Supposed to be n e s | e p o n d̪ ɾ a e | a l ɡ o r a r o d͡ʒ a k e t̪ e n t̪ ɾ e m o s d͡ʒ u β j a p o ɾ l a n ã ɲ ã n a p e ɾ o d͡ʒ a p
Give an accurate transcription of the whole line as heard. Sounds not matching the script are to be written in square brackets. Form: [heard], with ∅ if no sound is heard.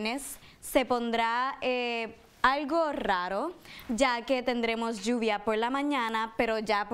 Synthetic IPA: n e [sː] | e p o n d̪ ɾ a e | a l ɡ o r a [ɾ] o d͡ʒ a k e t̪ e n [d̪] ɾ e m o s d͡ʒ u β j a p o ɾ l a [m] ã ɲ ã n a p e ɾ o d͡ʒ a p